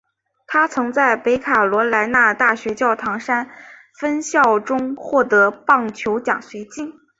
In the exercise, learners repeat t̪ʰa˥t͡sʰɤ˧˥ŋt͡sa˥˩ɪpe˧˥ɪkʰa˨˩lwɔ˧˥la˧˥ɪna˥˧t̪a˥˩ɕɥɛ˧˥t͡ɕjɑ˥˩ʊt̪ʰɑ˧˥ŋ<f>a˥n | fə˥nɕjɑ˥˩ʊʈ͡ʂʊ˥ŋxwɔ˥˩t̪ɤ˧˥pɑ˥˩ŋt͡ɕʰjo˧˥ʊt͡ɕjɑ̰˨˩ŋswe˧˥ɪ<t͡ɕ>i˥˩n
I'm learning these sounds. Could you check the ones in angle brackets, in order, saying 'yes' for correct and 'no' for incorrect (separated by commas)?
no, yes